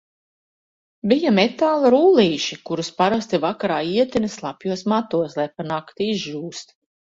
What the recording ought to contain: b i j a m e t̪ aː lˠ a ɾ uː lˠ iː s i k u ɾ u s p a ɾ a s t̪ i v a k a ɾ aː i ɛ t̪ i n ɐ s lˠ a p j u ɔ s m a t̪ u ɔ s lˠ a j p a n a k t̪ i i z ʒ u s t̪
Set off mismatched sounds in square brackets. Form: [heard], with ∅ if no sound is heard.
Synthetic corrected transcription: b i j a m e t̪ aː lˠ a ɾ uː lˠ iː [ʃ] i k u ɾ u s p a ɾ a s t̪ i v a k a ɾ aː i ɛ t̪ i n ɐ s lˠ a p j u ɔ s m a t̪ u ɔ s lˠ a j p a n a k t̪ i i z ʒ [uː] s t̪